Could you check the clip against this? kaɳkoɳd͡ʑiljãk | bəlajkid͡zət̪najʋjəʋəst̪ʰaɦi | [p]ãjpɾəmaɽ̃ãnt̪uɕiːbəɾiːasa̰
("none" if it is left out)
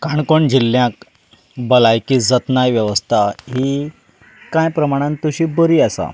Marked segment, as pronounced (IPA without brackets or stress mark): k